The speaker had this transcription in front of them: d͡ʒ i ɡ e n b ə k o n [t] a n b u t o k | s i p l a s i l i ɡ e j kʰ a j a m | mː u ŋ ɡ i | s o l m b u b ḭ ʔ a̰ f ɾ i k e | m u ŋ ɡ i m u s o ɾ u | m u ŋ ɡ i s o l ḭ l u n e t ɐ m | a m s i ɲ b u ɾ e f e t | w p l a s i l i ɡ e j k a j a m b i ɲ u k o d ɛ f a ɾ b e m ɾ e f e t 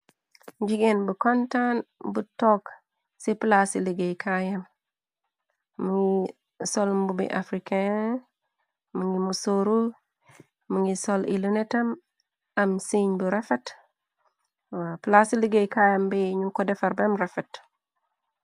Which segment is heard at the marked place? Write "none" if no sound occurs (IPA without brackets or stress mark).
t